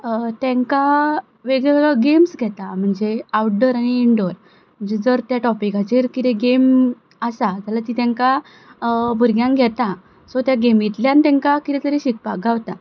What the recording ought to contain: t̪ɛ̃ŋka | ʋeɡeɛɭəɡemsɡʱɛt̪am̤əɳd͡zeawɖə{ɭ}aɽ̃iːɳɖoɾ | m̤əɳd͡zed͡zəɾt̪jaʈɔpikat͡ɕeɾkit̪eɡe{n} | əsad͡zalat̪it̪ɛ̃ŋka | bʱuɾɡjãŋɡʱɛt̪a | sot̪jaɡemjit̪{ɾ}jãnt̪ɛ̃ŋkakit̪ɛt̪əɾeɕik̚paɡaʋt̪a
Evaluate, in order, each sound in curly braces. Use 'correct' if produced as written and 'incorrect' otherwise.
incorrect, incorrect, incorrect

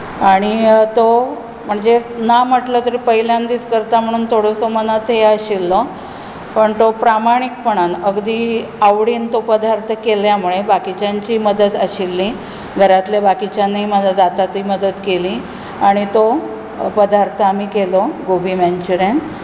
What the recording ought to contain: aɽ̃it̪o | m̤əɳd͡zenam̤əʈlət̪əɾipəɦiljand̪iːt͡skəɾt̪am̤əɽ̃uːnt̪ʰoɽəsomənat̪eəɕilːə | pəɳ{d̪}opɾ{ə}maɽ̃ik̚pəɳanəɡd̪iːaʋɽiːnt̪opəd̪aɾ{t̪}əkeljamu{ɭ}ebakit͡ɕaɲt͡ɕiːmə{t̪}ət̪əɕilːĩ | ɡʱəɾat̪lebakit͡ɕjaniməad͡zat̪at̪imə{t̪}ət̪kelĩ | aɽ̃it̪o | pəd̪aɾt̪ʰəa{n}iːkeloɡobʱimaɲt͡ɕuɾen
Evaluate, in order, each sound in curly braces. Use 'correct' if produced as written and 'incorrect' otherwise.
incorrect, incorrect, incorrect, correct, incorrect, incorrect, incorrect

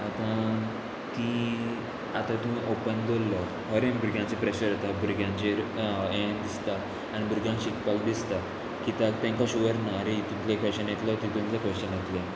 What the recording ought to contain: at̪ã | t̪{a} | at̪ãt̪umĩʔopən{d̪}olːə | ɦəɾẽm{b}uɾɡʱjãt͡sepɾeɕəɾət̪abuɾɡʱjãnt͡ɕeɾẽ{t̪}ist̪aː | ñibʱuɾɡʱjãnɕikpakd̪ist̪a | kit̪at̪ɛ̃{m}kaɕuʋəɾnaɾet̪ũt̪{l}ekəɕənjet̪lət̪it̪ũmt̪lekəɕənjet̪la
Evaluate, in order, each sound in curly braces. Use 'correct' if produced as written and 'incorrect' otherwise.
incorrect, correct, correct, incorrect, incorrect, correct

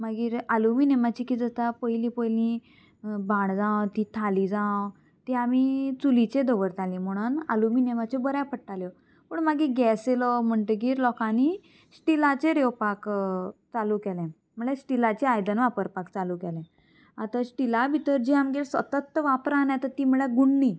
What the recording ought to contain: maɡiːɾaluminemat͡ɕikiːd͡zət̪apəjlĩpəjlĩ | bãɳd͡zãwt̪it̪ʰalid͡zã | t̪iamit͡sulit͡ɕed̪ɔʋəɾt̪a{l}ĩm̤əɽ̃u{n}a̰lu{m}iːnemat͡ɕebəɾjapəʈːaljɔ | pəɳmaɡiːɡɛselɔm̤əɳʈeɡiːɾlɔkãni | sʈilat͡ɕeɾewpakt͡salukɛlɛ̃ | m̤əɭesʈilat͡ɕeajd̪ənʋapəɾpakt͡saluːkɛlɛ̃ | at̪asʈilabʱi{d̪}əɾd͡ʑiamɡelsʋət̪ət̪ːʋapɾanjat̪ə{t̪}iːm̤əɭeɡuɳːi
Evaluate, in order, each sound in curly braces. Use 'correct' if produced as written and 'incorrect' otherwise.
correct, correct, correct, incorrect, correct

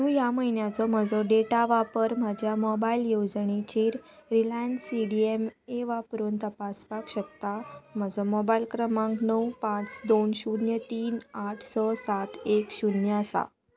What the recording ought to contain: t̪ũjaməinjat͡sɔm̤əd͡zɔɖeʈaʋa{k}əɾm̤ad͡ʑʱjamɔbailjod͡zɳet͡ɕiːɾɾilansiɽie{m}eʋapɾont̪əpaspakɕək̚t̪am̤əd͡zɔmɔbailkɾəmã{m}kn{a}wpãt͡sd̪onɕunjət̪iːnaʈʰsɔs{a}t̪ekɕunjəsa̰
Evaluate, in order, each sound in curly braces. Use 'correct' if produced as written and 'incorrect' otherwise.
incorrect, correct, incorrect, incorrect, correct

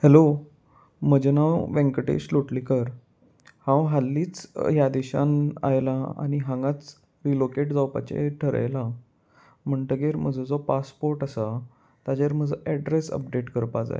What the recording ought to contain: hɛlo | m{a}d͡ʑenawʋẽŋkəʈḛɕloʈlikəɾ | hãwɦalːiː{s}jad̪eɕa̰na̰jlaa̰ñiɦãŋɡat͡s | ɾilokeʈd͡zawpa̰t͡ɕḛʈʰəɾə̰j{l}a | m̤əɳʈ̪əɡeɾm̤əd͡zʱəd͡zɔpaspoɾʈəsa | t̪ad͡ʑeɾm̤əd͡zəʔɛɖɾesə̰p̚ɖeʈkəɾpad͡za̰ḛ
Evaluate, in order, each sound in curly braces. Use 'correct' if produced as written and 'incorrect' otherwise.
incorrect, incorrect, correct

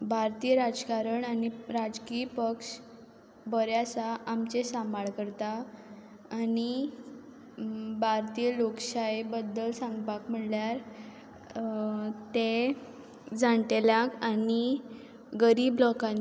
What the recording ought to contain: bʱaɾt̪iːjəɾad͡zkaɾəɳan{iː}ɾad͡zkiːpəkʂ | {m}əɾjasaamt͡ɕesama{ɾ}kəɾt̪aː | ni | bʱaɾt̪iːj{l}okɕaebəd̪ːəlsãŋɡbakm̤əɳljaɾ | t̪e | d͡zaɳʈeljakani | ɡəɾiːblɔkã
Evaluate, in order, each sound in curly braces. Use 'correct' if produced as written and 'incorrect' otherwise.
incorrect, incorrect, incorrect, correct

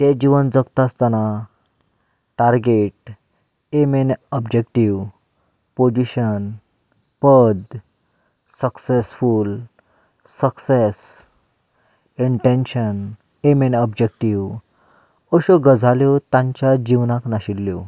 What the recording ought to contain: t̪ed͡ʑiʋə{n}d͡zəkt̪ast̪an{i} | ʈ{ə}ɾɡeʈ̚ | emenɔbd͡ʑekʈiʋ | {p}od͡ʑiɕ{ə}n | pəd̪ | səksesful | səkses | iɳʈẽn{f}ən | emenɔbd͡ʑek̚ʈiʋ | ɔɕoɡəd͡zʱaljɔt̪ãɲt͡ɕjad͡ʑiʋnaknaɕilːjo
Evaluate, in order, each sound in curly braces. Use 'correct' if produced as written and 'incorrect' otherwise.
correct, incorrect, incorrect, correct, correct, incorrect

